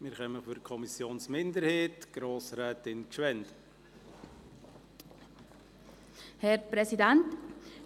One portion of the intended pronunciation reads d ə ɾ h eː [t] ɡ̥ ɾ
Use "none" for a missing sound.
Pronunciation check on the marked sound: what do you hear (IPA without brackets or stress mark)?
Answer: t